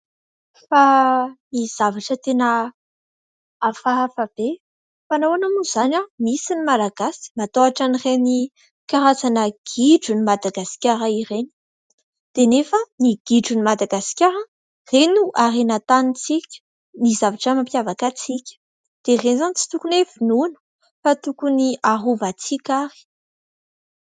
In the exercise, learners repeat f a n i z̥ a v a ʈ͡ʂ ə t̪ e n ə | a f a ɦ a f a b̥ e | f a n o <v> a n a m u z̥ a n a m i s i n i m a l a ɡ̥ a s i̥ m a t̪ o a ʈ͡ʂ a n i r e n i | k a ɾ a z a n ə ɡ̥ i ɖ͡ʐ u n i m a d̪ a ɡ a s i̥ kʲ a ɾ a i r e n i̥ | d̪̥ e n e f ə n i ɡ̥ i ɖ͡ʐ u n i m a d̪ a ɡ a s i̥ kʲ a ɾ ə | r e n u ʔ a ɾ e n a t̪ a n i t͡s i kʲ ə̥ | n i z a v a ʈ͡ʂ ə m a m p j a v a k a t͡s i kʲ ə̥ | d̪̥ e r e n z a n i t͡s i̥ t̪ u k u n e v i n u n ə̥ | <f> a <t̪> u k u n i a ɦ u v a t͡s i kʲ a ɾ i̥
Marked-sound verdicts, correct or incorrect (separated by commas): incorrect, correct, correct